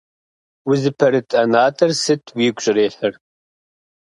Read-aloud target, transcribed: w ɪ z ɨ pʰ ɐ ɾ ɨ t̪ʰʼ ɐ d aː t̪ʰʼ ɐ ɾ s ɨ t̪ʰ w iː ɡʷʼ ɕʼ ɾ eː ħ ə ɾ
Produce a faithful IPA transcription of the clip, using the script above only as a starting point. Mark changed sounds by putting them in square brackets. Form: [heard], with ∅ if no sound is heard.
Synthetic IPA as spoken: w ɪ z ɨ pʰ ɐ ɾ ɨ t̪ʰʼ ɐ [n] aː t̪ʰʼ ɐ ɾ s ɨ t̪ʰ w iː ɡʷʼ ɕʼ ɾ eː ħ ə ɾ